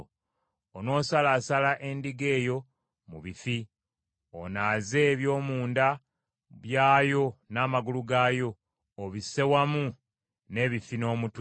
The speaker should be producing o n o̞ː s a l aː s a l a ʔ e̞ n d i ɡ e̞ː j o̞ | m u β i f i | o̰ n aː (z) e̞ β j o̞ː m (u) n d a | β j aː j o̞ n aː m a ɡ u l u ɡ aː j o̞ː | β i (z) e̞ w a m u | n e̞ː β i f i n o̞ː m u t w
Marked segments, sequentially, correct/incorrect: correct, incorrect, incorrect

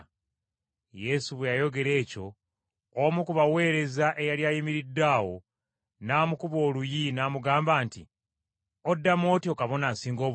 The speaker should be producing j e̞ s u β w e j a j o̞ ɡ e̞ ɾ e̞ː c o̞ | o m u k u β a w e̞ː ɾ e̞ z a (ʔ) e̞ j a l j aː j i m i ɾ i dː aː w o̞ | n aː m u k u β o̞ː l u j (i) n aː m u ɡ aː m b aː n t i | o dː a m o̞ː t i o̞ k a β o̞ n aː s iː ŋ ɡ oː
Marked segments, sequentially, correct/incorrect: correct, correct

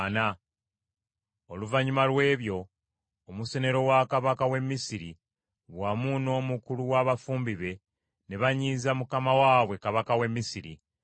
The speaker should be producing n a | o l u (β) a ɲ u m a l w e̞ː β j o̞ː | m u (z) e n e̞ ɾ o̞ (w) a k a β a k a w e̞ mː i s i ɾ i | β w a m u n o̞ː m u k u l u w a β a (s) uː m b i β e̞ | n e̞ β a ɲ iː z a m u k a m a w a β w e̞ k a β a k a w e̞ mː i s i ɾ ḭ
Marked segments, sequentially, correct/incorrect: incorrect, incorrect, correct, incorrect

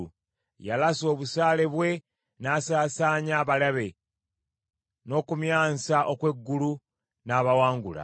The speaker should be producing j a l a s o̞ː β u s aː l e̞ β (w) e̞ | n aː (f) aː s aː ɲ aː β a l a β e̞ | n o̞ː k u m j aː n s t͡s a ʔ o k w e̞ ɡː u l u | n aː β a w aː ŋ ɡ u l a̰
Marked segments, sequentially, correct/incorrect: correct, incorrect

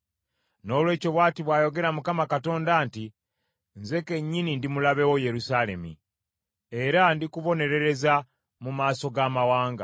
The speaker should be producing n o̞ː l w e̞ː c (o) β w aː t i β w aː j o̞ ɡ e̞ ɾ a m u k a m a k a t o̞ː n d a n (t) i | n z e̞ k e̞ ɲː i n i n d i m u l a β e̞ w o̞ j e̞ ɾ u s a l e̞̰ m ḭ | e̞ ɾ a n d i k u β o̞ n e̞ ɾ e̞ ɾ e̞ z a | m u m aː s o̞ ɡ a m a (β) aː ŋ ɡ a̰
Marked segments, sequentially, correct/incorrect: correct, correct, incorrect

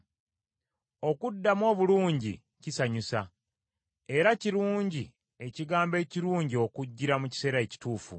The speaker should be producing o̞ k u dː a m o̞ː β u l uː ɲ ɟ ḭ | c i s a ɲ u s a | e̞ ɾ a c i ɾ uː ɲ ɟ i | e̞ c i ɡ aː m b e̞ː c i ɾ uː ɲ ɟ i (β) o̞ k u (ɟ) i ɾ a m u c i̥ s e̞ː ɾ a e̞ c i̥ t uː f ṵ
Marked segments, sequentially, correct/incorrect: incorrect, incorrect

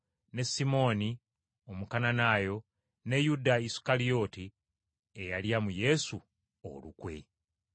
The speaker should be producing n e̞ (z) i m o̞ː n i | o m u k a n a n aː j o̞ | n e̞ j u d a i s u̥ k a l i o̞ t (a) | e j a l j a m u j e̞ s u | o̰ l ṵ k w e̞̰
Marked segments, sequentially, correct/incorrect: incorrect, incorrect

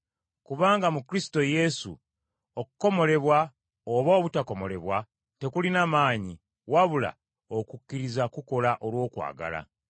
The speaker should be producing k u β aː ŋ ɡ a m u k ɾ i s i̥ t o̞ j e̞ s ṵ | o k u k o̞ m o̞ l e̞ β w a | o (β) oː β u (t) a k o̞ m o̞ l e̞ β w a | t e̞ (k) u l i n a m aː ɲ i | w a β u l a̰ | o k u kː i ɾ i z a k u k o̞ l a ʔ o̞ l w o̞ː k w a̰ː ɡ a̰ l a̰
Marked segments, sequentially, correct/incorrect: correct, correct, correct

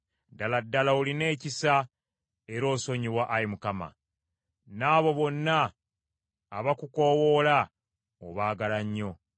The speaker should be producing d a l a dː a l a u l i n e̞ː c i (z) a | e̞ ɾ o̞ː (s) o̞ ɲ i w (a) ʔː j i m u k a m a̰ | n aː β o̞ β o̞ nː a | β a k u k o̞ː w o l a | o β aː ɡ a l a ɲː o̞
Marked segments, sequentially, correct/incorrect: incorrect, correct, correct

